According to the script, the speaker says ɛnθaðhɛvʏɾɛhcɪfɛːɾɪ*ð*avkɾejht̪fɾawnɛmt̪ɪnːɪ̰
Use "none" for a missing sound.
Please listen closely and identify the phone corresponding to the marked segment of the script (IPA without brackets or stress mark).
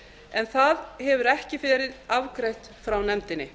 ð